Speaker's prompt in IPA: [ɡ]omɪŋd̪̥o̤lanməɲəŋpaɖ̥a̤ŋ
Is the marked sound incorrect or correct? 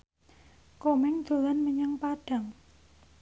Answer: incorrect